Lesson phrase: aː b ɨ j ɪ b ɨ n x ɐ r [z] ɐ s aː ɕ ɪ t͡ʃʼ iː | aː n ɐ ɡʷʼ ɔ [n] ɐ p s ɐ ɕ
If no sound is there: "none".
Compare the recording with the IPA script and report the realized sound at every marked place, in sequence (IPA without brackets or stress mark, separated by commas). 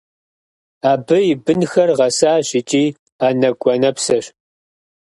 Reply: ʁ, n